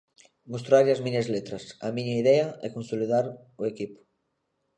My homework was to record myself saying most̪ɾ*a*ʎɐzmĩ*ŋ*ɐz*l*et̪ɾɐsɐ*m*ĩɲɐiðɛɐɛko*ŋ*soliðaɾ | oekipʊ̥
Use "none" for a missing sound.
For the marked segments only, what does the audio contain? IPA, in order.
a, ɲ, l, m, n

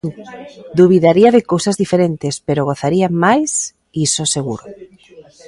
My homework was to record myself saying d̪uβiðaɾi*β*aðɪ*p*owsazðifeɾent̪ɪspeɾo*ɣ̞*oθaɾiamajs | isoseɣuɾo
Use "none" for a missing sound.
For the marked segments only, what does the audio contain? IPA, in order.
none, k, ɣ̞

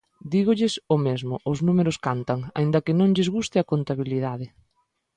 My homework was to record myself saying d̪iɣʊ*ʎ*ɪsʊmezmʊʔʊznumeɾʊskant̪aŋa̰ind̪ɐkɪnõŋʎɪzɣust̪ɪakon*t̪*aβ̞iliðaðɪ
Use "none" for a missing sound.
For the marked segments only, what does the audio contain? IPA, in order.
ʎ, t̪

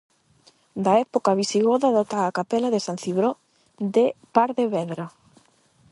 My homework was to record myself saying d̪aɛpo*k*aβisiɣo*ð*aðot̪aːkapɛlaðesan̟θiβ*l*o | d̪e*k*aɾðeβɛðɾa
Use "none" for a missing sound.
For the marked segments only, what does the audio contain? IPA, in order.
k, ð, ɾ, p

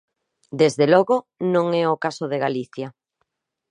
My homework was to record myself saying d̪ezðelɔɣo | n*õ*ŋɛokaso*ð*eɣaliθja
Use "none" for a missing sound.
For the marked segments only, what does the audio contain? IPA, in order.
õ, ð

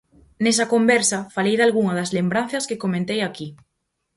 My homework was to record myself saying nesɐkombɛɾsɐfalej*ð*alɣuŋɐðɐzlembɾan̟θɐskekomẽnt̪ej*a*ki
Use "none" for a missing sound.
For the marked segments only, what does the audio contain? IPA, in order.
ð, a

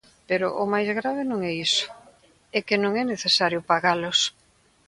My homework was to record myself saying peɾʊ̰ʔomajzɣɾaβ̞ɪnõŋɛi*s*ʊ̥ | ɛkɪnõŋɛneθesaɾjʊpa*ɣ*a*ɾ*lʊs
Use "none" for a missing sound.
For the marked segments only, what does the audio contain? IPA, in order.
s, ɣ, none

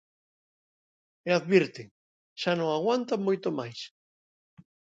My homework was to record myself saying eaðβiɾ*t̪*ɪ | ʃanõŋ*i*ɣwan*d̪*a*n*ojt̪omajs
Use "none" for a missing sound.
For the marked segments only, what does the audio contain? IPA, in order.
t̪, a, t̪, m

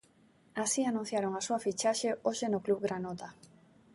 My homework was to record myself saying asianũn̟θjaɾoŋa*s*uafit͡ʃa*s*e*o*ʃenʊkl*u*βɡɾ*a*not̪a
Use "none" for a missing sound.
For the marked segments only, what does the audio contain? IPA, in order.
s, ʃ, o, u, a

